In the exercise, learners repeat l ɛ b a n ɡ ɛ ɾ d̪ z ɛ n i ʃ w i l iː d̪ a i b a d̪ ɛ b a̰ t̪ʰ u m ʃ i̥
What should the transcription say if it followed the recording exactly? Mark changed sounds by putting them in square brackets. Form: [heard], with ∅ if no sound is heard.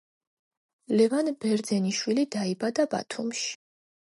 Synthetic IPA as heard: l ɛ [v] a n [b] ɛ ɾ d̪ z ɛ n i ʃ w i l [i] d̪ a i b a d̪ [a] b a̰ t̪ʰ u m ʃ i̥

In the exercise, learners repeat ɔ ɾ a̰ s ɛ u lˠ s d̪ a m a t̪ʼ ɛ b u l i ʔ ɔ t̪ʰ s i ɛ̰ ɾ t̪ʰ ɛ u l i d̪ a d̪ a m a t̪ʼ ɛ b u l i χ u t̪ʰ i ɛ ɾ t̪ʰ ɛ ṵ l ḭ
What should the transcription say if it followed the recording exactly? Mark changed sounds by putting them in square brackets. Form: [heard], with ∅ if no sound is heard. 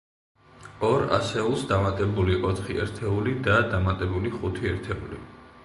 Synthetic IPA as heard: ɔ ɾ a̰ s ɛ u lˠ s d̪ a m a t̪ʼ ɛ b u l i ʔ ɔ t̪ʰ [χ] i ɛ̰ ɾ t̪ʰ ɛ u l i d̪ a d̪ a m a t̪ʼ ɛ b u l i χ u t̪ʰ i ɛ ɾ t̪ʰ ɛ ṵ l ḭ

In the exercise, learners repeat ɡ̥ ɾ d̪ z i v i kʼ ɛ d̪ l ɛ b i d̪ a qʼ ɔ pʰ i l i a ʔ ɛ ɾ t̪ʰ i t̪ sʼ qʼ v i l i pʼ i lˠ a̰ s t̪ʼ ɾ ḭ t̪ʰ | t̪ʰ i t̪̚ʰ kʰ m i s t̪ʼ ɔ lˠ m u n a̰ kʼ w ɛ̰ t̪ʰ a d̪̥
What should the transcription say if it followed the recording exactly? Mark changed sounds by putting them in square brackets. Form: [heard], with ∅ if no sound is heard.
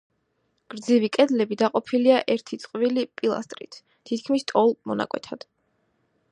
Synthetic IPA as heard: ɡ̥ ɾ d̪ z i v i kʼ ɛ d̪ l ɛ b i d̪ a qʼ ɔ pʰ i l i a ʔ ɛ ɾ t̪ʰ i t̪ sʼ qʼ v i l i pʼ i lˠ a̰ s t̪ʼ ɾ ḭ t̪ʰ | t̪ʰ i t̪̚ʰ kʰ m i s t̪ʼ ɔ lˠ m [ɔ] n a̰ kʼ w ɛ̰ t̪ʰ a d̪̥

